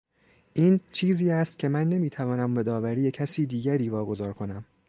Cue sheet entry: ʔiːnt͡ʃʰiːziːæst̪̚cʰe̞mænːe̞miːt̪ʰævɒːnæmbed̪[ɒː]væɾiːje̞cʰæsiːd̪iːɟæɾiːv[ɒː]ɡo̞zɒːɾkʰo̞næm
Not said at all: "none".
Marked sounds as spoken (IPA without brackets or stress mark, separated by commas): ɒː, ɒː